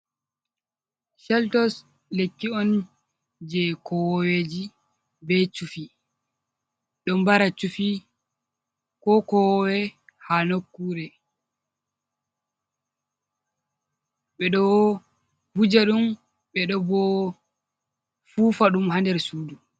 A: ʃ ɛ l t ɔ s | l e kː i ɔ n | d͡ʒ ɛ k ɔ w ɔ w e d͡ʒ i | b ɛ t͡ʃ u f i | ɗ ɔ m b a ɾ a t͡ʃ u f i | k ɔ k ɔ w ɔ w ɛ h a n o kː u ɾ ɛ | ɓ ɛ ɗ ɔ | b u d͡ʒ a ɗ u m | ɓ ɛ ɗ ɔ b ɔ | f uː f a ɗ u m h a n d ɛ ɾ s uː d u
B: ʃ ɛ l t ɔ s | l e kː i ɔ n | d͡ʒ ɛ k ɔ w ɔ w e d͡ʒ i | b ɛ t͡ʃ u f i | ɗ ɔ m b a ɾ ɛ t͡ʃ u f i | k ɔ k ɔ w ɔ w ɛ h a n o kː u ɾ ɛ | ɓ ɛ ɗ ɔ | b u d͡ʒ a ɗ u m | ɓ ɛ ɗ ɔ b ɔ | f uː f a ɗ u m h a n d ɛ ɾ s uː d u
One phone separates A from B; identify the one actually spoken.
A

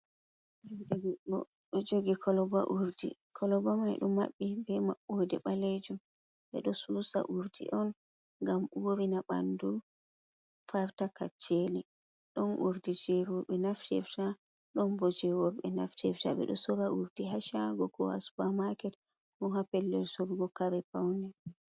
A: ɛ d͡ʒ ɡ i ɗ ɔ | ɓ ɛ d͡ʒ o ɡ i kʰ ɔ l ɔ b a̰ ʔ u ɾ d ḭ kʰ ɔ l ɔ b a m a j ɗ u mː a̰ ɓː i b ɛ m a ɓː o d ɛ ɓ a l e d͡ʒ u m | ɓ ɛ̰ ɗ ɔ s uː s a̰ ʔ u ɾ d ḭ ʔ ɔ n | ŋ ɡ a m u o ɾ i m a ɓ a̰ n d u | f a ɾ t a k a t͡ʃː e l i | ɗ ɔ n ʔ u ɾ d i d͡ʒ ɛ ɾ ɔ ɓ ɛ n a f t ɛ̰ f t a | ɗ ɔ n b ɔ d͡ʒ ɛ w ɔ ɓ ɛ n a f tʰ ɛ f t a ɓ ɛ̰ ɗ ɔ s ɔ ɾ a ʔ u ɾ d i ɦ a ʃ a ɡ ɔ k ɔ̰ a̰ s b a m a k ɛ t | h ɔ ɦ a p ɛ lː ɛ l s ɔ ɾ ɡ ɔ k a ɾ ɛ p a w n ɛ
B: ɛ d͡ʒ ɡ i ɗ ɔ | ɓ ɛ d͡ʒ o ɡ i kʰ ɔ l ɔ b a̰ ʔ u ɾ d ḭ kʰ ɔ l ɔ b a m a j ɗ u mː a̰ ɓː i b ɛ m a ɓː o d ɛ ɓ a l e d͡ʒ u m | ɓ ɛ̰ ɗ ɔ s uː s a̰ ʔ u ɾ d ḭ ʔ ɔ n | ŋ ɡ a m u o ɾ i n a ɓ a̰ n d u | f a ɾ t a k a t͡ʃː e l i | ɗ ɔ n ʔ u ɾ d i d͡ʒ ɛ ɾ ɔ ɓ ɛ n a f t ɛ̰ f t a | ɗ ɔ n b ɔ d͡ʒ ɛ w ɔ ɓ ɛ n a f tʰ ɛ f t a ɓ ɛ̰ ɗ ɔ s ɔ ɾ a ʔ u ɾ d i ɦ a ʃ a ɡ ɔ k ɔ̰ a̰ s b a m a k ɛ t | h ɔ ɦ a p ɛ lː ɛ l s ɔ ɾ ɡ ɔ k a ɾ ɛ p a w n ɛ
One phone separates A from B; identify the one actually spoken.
B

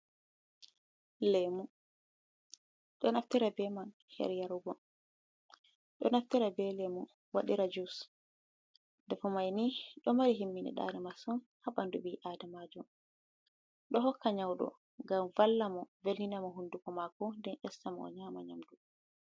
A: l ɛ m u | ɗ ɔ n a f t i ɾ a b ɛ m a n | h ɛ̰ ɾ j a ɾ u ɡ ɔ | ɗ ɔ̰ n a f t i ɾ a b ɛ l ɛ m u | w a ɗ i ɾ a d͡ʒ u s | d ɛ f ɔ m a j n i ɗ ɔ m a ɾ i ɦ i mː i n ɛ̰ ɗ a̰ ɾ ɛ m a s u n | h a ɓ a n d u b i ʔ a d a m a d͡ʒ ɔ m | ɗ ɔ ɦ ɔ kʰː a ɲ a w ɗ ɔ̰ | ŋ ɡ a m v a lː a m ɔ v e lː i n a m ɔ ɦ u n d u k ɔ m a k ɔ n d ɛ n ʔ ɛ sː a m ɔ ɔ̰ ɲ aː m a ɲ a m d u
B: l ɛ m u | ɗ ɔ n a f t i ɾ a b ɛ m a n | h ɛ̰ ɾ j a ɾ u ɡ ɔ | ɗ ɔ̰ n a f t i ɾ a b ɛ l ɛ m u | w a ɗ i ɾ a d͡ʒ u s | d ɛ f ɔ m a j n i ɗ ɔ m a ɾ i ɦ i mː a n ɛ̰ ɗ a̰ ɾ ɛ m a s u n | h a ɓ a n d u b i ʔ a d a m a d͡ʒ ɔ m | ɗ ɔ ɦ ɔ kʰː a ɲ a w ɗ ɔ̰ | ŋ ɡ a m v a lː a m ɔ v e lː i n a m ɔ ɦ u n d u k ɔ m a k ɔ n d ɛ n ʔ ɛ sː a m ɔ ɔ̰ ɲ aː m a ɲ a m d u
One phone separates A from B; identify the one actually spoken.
A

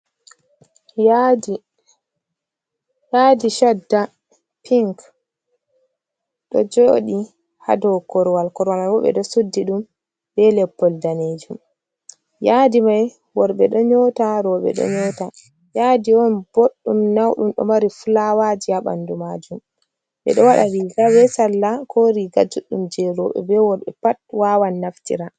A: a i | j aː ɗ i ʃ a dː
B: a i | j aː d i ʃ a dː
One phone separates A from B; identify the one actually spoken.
B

